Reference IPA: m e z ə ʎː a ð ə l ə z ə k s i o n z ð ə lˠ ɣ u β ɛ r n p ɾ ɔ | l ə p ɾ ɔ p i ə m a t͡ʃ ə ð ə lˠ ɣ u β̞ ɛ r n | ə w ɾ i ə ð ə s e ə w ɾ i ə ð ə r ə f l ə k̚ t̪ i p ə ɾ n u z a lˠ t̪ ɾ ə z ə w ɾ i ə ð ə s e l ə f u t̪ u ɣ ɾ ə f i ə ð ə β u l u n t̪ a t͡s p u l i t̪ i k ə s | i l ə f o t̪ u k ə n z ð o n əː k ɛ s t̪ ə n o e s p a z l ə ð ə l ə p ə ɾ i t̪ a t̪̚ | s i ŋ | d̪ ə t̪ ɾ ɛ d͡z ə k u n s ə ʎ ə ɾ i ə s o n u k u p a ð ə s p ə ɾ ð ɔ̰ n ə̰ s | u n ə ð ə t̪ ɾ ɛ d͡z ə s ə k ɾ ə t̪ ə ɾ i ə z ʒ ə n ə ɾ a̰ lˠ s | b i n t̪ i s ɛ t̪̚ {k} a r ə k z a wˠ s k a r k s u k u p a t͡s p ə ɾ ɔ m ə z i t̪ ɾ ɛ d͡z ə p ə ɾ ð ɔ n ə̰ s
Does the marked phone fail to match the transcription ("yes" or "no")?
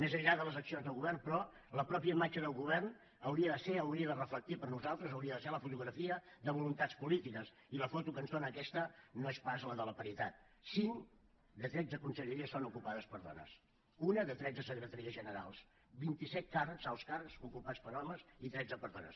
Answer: no